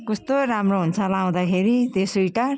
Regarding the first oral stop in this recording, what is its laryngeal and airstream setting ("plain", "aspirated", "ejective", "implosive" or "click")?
plain